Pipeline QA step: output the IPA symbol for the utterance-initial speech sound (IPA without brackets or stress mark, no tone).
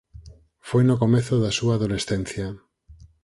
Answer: f